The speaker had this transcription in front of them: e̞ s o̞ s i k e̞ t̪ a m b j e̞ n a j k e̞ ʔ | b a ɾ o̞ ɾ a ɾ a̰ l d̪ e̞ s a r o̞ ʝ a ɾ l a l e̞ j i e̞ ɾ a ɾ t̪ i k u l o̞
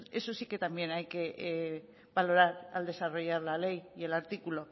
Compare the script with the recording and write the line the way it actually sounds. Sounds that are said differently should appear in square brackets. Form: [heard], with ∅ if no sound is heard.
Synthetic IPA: e̞ s o̞ s i k e̞ t̪ a m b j e̞ n a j k e̞ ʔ | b a [l] o̞ ɾ a ɾ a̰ l d̪ e̞ s a r o̞ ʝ a ɾ l a l e̞ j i e̞ [l] a ɾ t̪ i k u l o̞